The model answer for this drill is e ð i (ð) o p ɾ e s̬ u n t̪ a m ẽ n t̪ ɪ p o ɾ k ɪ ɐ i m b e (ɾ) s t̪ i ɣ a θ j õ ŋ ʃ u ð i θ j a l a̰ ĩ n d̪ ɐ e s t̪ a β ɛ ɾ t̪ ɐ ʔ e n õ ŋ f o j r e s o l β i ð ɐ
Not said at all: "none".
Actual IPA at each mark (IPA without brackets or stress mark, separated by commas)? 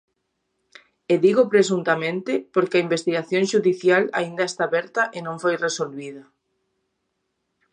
ɣ, none